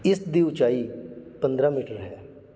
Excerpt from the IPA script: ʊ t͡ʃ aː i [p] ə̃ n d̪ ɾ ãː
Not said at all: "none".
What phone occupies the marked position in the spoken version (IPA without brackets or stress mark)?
p